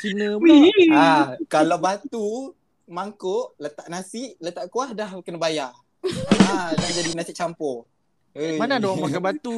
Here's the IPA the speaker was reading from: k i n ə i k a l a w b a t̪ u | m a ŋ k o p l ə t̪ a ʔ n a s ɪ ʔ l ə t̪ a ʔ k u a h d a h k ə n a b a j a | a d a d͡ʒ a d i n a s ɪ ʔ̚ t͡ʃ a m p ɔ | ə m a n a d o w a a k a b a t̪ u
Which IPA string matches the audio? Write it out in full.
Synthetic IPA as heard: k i n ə a k a l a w b a t̪ u | m a ŋ k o ʔ l ə t̪ a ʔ n a s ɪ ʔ l ə t̪ a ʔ k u a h d a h k ə n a b a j a | a d a d͡ʒ a d i n a s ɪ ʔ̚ t͡ʃ a m p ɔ | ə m a n a d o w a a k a b a t̪ u